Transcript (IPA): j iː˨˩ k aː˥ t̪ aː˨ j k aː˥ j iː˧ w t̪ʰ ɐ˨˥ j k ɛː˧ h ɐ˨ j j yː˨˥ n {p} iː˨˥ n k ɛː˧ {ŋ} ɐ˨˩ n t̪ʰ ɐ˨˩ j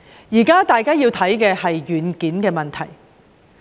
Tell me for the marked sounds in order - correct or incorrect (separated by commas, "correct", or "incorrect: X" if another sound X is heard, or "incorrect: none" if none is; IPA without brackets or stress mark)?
incorrect: k, incorrect: m